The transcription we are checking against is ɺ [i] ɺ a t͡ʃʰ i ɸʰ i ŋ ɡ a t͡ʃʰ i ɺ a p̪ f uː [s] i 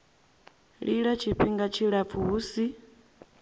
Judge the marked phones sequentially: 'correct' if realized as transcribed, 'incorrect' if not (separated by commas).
correct, correct